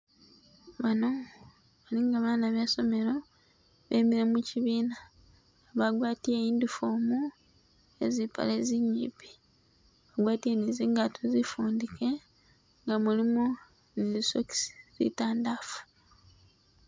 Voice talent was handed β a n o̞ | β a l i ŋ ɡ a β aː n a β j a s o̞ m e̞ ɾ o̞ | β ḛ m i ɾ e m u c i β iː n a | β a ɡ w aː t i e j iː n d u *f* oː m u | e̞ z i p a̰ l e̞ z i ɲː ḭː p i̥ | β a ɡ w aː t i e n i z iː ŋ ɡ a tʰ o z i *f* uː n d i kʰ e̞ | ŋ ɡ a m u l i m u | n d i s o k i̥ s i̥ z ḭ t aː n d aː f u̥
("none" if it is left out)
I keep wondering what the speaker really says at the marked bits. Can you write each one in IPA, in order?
f, f

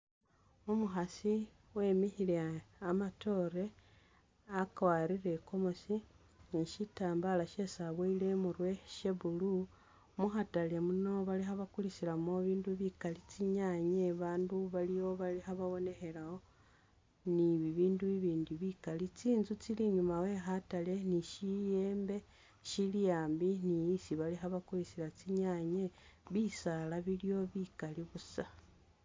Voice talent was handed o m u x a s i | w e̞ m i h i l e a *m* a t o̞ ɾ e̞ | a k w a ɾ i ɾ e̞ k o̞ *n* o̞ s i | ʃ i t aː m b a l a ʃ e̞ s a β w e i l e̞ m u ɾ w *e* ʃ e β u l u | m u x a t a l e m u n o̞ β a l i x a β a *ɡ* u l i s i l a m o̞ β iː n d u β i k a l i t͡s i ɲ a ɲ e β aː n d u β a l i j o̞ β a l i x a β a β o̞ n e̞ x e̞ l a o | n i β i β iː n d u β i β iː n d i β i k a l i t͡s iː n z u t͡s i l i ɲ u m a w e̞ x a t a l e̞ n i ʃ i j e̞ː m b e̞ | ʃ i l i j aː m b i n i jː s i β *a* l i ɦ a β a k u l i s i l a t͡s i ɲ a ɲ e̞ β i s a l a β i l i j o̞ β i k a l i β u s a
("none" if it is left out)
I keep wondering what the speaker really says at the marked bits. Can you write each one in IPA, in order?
m, m, e, k, a

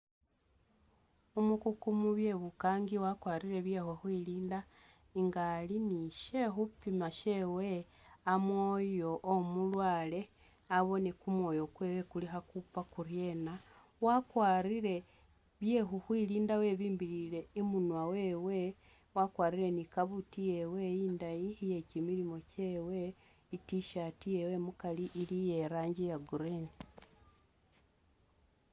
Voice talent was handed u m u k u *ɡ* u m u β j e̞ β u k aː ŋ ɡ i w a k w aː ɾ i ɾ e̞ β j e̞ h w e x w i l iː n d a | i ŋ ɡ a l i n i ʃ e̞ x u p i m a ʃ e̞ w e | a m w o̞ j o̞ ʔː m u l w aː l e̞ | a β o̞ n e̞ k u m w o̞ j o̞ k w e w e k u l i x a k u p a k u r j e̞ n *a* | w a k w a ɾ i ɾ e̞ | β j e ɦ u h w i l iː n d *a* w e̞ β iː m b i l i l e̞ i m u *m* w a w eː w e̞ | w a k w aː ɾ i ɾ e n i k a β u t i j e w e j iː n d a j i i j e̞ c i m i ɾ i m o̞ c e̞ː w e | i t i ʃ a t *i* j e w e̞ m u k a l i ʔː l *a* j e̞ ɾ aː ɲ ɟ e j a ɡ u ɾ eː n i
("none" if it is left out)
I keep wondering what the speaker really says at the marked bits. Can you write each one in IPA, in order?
k, a, a, n, i, i

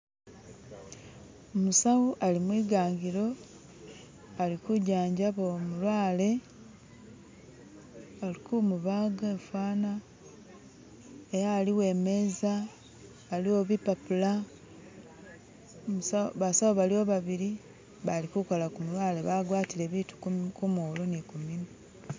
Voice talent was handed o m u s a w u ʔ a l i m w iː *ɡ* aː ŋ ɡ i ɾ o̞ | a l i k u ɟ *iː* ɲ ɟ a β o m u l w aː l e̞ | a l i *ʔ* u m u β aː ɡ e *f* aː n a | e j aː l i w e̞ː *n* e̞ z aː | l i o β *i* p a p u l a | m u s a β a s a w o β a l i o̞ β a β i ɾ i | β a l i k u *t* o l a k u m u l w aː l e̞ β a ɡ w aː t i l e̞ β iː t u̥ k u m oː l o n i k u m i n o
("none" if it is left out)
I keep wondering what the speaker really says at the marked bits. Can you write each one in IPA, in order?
ɡ, aː, k, f, m, i, k

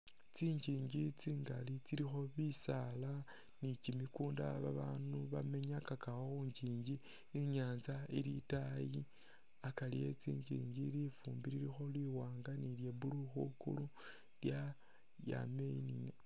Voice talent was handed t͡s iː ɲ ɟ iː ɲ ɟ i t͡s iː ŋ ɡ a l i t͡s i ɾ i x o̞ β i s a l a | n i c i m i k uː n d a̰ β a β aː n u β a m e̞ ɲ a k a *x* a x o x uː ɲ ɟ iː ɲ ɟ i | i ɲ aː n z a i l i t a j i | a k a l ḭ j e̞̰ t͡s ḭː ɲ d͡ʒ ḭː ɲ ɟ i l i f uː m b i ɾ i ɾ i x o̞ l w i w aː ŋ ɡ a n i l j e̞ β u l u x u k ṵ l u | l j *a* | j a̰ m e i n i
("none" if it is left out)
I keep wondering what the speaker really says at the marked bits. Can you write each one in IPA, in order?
k, a

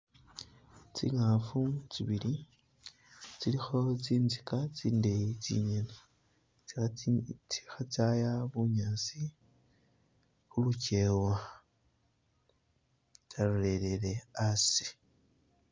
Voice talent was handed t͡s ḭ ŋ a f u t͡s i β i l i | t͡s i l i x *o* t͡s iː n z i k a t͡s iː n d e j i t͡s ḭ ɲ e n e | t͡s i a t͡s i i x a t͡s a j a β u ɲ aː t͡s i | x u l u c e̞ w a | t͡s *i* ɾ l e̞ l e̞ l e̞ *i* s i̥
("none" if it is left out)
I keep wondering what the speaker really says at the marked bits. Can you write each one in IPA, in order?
o, a, a

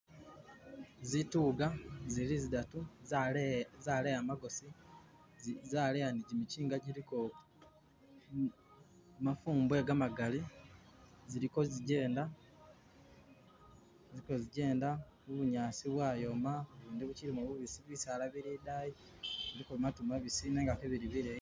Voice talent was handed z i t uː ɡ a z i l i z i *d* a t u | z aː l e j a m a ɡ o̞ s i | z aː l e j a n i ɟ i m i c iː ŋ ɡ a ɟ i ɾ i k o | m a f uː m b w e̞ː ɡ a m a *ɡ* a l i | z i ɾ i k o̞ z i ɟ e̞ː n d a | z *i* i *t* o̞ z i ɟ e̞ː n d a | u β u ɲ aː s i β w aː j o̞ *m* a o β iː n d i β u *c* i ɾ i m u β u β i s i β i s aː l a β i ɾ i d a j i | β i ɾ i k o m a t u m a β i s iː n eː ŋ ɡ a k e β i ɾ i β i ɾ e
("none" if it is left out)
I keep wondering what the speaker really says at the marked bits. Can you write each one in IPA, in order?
d, ɡ, i, k, m, c

